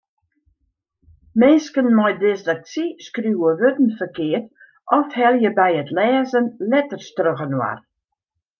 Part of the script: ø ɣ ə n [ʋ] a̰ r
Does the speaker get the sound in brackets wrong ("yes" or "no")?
yes